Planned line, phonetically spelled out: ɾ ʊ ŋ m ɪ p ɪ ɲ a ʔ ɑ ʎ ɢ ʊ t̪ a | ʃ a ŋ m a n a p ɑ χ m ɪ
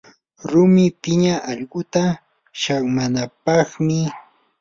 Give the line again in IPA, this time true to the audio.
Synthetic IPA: ɾ ʊ m ɪ p ɪ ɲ a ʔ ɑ ʎ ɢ ʊ t̪ a | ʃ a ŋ m a n a p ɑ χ m ɪ